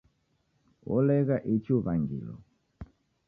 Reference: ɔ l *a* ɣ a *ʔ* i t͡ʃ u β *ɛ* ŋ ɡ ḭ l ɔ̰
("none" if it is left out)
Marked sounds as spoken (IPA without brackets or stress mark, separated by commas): ɛ, ʔ, a